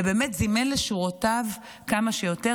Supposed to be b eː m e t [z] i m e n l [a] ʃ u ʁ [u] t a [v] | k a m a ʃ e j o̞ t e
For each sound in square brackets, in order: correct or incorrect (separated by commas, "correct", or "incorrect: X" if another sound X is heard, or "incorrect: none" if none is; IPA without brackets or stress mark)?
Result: correct, incorrect: e, incorrect: o, correct